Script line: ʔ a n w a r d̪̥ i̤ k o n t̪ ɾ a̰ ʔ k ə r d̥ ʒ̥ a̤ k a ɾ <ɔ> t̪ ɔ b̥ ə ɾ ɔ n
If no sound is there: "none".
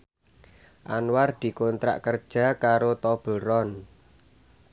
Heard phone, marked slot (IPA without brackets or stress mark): o